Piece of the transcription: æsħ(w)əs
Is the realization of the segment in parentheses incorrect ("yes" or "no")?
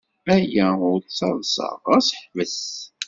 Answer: yes